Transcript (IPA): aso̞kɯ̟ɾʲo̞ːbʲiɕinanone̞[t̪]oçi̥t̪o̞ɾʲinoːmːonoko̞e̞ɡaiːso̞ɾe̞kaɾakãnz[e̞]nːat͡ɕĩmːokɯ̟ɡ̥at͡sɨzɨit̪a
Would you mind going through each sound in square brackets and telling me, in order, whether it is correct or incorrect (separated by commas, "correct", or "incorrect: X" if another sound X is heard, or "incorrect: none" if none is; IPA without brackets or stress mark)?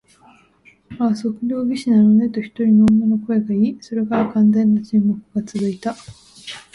correct, incorrect: ẽ̞